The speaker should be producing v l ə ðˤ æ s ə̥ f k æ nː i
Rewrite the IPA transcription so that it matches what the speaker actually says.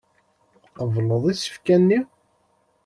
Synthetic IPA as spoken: v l ə ðˤ i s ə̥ f k æ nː i